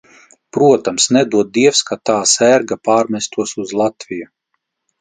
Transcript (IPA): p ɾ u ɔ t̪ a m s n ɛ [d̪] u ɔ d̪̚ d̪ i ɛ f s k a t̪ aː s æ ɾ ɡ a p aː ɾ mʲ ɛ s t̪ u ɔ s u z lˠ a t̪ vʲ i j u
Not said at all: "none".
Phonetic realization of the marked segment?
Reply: d̪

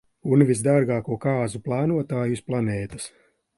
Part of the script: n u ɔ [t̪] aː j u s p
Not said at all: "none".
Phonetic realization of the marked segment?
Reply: t̪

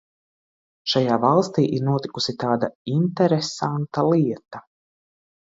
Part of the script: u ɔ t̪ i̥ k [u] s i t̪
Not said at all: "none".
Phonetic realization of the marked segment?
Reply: u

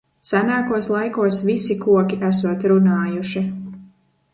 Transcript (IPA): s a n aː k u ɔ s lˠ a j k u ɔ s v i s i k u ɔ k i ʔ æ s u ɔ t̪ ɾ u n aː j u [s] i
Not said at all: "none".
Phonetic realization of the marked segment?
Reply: ʃ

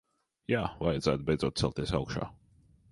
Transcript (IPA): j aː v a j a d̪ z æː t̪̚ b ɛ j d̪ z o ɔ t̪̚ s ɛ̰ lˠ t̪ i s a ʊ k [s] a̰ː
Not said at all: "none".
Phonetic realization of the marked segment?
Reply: ʃ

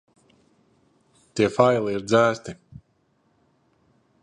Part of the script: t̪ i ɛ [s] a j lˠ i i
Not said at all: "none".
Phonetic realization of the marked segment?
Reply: f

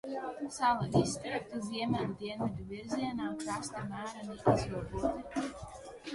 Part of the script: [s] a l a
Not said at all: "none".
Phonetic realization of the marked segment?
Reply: s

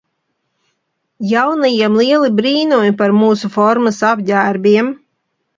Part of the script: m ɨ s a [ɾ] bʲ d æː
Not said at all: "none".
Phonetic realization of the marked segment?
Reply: none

